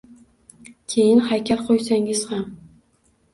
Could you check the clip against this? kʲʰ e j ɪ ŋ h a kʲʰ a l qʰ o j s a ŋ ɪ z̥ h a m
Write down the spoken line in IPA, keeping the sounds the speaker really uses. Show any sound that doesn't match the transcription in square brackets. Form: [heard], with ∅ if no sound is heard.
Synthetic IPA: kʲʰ e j ɪ [n] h a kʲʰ a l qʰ o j s a ŋ ɪ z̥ h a m